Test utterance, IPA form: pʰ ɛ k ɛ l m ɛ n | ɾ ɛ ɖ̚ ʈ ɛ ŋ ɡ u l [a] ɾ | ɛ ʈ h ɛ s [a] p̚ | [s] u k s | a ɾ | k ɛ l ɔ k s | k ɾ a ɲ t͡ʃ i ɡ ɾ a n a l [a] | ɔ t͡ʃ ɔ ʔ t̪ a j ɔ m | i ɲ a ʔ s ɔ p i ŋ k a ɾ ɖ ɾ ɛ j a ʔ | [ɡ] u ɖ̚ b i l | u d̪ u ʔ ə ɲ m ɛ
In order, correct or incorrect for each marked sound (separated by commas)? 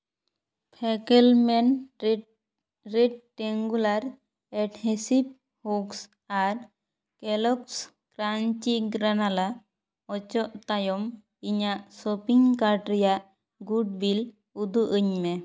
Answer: correct, incorrect, incorrect, correct, correct